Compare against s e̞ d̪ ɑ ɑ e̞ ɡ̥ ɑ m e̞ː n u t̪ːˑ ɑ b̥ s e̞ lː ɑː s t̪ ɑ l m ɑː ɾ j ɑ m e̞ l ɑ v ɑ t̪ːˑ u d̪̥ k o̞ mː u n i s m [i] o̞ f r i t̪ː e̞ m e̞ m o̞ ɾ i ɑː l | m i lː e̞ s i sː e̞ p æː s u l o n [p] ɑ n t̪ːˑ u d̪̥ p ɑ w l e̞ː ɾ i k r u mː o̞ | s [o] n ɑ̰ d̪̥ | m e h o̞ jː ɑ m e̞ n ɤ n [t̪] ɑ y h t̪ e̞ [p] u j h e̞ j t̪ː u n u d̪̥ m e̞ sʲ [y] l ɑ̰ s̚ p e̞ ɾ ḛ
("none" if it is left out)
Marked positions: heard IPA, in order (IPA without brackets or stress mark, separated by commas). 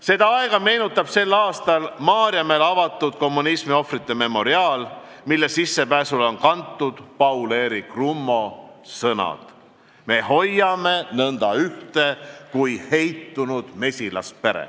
i, k, ɤ, d̪, k, i